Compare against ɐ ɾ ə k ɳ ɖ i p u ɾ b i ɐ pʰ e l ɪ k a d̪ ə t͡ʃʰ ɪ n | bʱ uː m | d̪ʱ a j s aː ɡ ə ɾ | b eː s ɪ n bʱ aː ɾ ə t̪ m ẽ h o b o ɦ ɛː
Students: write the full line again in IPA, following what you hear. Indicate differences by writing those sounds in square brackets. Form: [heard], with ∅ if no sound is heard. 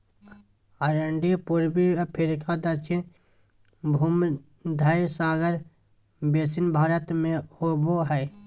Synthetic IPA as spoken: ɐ ɾ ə [∅] ɳ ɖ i p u ɾ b i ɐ pʰ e [ɾ] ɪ k a d̪ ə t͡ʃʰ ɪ n | bʱ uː m | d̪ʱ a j s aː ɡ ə ɾ | b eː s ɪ n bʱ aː ɾ ə t̪ m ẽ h o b o ɦ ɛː

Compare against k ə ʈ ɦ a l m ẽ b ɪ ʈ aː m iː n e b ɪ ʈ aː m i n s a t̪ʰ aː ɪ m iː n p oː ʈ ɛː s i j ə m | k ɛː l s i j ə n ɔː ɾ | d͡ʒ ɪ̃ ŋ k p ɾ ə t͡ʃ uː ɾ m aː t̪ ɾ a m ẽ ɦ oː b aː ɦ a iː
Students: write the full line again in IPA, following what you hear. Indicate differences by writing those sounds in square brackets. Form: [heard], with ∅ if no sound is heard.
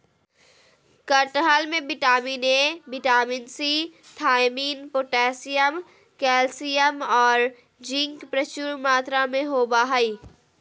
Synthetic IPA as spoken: k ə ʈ ɦ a l m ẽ b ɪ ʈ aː m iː n e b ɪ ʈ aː m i n s [i] t̪ʰ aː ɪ m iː n p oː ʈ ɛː s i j ə m | k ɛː l s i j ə [m] ɔː ɾ | d͡ʒ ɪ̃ ŋ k p ɾ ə t͡ʃ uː ɾ m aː t̪ ɾ a m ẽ ɦ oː b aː ɦ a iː

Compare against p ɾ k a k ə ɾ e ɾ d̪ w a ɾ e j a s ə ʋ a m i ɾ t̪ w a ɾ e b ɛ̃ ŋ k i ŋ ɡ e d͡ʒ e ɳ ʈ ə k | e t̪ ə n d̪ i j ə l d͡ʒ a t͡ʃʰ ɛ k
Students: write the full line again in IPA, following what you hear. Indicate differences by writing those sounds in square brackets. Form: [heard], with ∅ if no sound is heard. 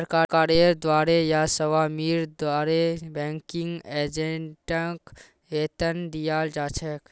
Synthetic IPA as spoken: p ɾ k a k [a] ɾ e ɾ d̪ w a ɾ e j a s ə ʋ a m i ɾ [d̪] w a ɾ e b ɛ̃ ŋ k i ŋ ɡ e d͡ʒ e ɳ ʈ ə k | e t̪ ə n d̪ i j [a] l d͡ʒ a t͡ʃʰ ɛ k

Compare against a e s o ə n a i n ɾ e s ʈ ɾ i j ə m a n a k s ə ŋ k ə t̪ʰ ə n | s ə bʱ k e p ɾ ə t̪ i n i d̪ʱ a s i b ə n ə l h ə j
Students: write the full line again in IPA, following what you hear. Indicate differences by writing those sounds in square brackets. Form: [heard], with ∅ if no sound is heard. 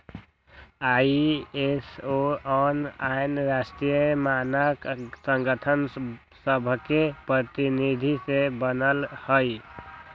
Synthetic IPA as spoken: a e s o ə n a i n ɾ [a] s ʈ ɾ i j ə m a n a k s ə ŋ [ɡ] ə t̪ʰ ə n | s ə bʱ k e p ɾ ə t̪ i n i d̪ʱ [i] s [e] b ə n ə l h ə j

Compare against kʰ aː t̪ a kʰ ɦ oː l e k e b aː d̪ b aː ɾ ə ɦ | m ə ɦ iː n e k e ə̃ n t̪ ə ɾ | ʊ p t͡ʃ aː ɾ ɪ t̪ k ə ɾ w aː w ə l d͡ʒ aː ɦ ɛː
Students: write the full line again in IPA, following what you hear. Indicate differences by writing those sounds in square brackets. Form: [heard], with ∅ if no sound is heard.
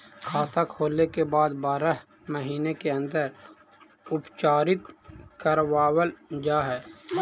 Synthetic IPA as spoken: kʰ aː t̪ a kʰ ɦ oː l e k e b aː d̪ b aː ɾ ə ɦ | m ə ɦ iː n e k e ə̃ n [d̪] ə ɾ | ʊ p t͡ʃ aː ɾ ɪ t̪ k ə ɾ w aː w ə l d͡ʒ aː ɦ ɛː

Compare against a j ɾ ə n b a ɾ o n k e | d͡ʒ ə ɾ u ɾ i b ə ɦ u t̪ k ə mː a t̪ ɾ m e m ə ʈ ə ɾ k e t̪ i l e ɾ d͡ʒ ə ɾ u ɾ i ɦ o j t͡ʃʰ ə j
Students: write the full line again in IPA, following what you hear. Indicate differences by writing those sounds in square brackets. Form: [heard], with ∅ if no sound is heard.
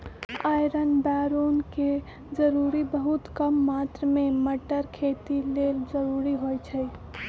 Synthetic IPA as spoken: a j ɾ ə n b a ɾ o n k e | d͡ʒ ə ɾ u ɾ i b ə ɦ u t̪ k ə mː a t̪ ɾ m e m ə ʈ ə ɾ [kʰ] e t̪ i l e [l] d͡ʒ ə ɾ u ɾ i ɦ o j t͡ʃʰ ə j

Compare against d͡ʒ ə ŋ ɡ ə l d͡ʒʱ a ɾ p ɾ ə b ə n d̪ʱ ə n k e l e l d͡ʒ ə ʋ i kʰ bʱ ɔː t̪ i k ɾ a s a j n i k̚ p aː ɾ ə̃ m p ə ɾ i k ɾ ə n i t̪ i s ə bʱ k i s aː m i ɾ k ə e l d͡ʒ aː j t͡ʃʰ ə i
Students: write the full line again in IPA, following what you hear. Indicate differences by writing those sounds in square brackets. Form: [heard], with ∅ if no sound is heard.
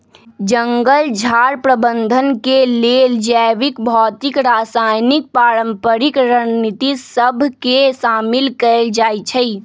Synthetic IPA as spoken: d͡ʒ ə ŋ ɡ ə l d͡ʒʱ a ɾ p ɾ ə b ə n d̪ʱ ə n k e l e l d͡ʒ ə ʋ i [k] bʱ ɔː t̪ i k ɾ a s a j n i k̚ p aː ɾ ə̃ m p ə ɾ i k ɾ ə n i t̪ i s ə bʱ k [e] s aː m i [l] k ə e l d͡ʒ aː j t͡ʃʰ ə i

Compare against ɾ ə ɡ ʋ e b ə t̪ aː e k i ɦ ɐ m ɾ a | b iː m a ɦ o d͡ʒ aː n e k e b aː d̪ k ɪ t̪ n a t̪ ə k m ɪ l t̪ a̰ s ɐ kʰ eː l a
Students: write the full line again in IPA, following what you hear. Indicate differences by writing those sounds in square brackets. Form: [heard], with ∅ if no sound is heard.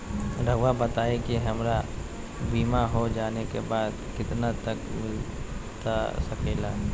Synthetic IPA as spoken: ɾ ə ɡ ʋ [a] b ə t̪ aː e k i ɦ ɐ m ɾ a | b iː m a ɦ o d͡ʒ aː n e k e b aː d̪ k ɪ t̪ n a t̪ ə k m ɪ l t̪ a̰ s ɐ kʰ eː l a

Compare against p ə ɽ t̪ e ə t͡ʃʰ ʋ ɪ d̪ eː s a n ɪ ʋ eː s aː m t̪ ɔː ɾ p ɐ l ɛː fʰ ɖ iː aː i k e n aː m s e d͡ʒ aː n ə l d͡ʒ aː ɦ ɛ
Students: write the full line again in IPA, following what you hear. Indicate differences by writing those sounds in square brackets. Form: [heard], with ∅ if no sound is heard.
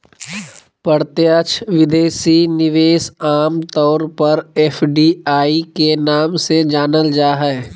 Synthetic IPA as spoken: p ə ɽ t̪ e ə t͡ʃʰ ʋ ɪ d̪ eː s [i] n ɪ ʋ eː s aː m t̪ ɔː ɾ p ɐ [ɾ] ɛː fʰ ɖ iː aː i k e n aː m s e d͡ʒ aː n ə l d͡ʒ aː ɦ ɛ

